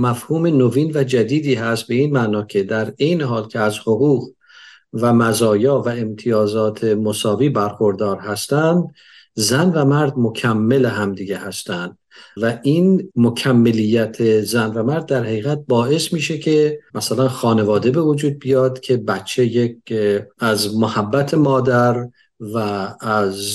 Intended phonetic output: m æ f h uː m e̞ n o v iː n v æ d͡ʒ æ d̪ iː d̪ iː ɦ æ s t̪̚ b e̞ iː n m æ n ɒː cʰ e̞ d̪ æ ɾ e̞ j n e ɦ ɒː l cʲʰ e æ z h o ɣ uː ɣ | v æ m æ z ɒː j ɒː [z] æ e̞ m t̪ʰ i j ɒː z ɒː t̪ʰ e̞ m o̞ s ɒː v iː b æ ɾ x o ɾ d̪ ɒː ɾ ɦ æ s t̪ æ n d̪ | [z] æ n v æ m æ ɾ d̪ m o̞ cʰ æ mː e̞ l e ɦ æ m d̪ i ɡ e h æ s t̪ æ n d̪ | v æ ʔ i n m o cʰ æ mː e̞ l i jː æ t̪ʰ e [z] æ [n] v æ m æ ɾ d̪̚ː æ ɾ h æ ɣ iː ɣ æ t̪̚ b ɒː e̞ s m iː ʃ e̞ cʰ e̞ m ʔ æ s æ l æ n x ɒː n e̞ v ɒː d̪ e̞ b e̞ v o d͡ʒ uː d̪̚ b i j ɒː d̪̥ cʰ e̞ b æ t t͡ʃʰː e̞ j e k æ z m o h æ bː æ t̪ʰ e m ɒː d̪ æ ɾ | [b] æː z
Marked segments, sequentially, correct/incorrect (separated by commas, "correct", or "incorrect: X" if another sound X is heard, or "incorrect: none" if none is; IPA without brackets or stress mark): incorrect: v, correct, correct, correct, incorrect: v